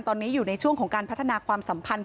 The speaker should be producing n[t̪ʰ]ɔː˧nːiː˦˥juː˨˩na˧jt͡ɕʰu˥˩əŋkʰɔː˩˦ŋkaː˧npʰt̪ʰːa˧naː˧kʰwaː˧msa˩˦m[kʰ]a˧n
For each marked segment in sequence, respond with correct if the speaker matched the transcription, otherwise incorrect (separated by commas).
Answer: incorrect, incorrect